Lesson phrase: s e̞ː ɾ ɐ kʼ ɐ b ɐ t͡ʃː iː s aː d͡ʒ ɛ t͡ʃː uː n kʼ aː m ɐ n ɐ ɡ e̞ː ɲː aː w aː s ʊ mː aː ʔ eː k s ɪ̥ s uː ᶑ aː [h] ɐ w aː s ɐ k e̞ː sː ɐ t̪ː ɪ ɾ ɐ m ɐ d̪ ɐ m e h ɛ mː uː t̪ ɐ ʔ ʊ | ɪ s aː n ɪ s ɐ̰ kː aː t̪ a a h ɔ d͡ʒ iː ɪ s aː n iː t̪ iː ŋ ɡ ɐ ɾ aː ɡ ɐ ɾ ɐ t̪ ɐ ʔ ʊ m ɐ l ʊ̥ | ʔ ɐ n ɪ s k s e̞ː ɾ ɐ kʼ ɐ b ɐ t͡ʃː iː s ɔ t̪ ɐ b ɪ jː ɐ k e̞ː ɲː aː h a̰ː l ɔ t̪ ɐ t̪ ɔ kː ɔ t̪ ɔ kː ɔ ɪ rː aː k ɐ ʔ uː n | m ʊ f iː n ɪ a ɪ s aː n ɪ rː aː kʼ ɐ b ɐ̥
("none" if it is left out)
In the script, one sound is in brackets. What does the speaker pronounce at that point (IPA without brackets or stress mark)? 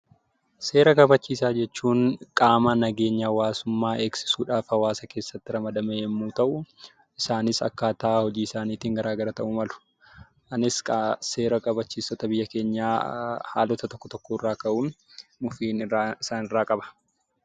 f